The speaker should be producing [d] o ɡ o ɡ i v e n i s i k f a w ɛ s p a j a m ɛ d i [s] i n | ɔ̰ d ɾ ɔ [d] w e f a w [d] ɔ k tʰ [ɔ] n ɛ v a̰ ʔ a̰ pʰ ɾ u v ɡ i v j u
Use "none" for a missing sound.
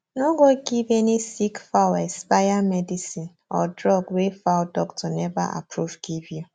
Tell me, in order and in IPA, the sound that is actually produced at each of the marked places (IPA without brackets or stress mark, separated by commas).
n, s, ɡ, d, ɔ